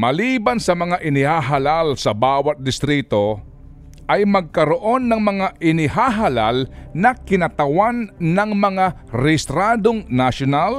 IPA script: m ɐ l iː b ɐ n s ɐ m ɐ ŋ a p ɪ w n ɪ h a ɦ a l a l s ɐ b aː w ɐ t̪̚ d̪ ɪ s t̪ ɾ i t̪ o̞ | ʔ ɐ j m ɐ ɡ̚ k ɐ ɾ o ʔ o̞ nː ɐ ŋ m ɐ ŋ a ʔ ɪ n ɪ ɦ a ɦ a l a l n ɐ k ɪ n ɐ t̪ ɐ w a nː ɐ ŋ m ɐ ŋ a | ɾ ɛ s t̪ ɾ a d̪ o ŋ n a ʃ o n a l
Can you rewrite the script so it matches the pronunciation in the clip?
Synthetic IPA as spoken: m ɐ l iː b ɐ n s ɐ m ɐ ŋ a ʔ ɪ n ɪ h a ɦ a l a l s ɐ b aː w ɐ t̪̚ d̪ ɪ s t̪ ɾ i t̪ o̞ | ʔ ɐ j m ɐ ɡ̚ k ɐ ɾ o ʔ o̞ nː ɐ ŋ m ɐ ŋ a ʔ ɪ n ɪ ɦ a ɦ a l a l n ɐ k ɪ n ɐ t̪ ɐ w a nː ɐ ŋ m ɐ ŋ a | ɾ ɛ s t̪ ɾ a d̪ o ŋ n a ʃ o n a l